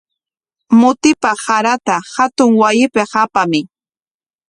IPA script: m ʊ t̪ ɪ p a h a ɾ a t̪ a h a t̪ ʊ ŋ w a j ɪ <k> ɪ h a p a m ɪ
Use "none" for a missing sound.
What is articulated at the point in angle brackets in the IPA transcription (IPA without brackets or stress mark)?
p